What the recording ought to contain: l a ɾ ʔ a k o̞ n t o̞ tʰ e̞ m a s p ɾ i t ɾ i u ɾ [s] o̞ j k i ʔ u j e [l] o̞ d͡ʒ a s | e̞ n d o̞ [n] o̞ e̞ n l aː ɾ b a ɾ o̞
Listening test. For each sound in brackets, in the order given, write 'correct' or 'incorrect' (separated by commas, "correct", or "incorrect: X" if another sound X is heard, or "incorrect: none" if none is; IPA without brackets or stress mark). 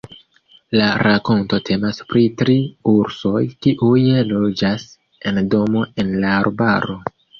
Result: correct, correct, incorrect: m